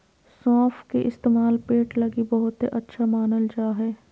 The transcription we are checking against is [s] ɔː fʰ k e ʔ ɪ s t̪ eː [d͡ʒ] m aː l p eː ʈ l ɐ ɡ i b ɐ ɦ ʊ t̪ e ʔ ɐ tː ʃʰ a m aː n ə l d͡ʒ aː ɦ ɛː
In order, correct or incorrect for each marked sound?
correct, incorrect: none

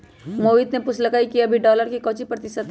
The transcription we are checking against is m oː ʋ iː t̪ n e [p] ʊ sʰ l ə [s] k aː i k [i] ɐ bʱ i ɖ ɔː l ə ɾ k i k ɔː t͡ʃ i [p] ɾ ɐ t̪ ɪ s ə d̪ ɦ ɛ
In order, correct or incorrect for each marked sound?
correct, incorrect: none, correct, correct

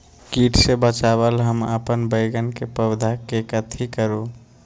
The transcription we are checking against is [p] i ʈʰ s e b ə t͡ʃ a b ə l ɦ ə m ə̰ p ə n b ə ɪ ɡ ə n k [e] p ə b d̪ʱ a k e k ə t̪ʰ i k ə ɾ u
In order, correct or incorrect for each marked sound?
incorrect: k, correct

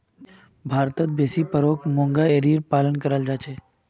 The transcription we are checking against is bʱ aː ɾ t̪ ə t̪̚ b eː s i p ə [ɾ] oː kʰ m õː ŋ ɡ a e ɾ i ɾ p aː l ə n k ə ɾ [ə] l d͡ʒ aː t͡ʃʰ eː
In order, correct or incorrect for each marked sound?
correct, correct

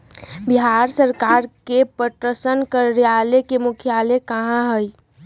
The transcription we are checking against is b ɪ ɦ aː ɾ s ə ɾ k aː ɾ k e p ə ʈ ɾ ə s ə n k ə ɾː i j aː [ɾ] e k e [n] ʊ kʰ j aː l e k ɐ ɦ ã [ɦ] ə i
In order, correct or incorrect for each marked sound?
incorrect: l, incorrect: m, correct

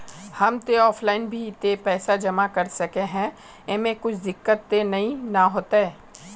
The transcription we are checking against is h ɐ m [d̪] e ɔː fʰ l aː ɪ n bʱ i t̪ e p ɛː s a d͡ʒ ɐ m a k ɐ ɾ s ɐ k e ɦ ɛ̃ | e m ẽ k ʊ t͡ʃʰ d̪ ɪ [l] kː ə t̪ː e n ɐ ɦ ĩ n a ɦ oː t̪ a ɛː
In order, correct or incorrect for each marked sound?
incorrect: t̪, incorrect: none

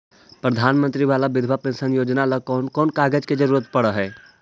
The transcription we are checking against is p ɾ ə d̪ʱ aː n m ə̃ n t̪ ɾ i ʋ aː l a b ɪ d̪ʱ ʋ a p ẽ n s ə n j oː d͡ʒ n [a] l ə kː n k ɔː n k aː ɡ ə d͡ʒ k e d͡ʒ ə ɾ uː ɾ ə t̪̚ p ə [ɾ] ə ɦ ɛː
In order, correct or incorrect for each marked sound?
correct, incorrect: ɽ

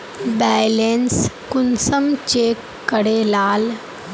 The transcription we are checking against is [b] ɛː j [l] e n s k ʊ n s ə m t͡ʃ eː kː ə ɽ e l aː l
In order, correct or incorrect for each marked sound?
correct, correct

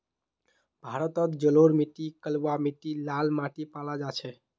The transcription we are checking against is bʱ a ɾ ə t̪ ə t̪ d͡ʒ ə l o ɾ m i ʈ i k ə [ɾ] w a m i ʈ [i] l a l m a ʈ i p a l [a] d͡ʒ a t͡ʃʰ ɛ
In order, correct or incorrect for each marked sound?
incorrect: l, correct, correct

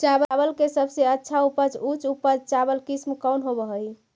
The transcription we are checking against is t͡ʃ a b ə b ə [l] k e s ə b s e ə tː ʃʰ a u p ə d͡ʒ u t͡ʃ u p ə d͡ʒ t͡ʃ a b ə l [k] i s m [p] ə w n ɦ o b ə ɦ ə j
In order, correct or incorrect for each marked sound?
correct, correct, incorrect: k

